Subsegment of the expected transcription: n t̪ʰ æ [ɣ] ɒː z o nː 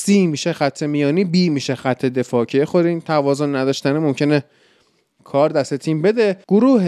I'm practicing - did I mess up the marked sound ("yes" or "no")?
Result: yes